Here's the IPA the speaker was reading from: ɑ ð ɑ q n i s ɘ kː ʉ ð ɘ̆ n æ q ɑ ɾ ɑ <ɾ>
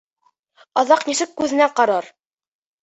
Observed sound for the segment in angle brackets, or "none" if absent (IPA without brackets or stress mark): ɾ